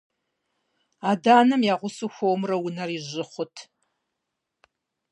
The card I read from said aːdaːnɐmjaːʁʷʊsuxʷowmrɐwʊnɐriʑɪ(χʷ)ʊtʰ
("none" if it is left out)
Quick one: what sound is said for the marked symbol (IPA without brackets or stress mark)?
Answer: χʷ